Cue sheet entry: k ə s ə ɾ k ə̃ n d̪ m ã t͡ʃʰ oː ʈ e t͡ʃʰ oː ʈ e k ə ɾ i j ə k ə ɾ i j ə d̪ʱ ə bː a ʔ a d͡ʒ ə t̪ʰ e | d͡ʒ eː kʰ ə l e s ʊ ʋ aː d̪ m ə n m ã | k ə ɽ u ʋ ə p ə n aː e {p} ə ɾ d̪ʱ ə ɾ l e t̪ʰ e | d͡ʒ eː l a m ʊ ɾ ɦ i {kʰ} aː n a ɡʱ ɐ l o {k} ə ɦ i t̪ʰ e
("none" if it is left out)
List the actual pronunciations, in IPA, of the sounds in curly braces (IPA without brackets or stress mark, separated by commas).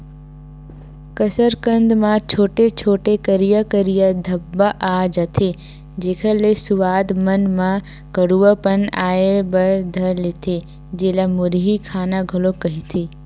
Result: b, kʰ, k